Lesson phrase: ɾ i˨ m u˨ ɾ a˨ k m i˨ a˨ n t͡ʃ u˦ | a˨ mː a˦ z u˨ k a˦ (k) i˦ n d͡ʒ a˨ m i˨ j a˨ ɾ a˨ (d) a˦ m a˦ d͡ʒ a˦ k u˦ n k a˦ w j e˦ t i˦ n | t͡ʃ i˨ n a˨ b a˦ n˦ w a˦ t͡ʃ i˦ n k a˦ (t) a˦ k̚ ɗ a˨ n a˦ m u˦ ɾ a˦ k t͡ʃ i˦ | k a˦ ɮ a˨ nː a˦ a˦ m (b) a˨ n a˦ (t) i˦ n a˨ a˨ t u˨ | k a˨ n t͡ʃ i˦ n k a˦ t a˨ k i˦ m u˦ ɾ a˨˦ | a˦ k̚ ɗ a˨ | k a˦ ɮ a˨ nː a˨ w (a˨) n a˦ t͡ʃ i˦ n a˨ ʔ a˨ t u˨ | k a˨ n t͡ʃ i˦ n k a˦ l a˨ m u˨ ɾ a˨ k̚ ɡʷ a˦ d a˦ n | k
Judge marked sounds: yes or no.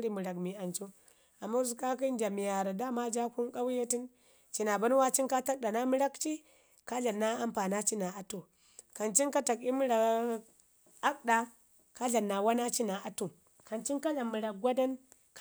yes, yes, yes, no, no, no

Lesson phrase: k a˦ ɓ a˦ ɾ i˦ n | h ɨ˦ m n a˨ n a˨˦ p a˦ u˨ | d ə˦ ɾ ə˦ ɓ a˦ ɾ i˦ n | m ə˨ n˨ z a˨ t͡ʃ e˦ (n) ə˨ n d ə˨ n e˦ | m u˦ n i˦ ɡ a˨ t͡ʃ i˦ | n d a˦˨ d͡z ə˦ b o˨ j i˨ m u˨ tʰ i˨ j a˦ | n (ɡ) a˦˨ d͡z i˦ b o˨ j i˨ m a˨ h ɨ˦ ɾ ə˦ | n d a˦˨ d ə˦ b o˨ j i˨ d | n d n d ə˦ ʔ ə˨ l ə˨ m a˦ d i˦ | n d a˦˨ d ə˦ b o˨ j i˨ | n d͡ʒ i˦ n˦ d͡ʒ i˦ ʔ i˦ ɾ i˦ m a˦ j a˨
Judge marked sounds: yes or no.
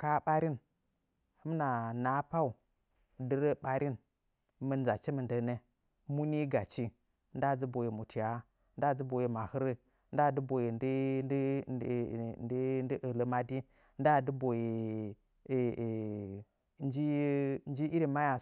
no, no

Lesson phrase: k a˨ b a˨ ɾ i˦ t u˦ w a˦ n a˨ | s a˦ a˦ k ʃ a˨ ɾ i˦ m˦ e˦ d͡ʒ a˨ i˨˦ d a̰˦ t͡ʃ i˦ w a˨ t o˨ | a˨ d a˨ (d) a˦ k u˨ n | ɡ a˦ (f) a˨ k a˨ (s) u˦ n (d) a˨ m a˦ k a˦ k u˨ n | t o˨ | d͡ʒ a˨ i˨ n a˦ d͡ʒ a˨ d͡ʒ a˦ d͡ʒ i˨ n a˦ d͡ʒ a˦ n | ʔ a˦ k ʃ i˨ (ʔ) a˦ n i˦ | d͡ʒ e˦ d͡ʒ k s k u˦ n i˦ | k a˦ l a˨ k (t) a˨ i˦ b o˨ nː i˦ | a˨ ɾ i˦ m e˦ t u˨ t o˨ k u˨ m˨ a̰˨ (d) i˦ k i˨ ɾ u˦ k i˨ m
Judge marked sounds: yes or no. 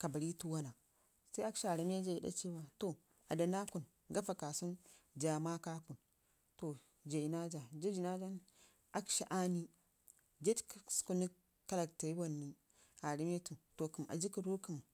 no, yes, yes, no, yes, yes, no

